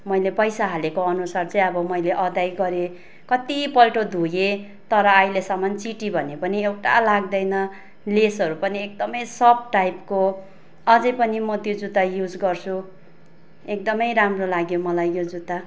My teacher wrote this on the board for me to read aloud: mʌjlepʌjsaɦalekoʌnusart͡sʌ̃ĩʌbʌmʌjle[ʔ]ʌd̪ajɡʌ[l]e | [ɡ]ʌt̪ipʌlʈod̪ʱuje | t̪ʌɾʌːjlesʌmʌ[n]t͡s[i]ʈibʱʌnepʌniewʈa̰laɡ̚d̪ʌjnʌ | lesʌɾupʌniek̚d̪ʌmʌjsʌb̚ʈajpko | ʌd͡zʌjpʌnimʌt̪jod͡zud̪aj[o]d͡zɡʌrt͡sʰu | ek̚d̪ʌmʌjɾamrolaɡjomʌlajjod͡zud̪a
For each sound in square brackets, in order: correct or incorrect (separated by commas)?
correct, incorrect, incorrect, correct, correct, incorrect